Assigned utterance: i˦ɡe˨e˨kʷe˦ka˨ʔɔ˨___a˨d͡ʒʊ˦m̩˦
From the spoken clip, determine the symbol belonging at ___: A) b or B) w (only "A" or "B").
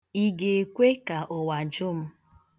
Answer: B